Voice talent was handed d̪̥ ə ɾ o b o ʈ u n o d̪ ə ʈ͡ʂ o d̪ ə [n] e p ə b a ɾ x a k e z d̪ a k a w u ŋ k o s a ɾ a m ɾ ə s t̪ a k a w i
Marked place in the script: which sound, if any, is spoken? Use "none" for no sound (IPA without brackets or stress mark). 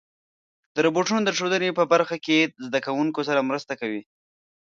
n